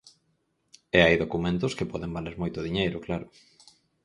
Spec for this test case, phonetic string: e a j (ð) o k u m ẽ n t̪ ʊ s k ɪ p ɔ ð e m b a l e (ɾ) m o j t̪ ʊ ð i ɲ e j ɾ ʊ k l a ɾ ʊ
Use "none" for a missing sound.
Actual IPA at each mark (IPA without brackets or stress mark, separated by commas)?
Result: ð, ɾ